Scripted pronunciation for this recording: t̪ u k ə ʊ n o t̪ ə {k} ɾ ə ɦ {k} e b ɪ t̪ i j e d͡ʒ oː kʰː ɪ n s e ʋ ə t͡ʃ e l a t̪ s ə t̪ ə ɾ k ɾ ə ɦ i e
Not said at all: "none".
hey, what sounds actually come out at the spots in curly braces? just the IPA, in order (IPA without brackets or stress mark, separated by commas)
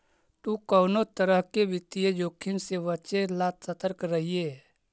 none, k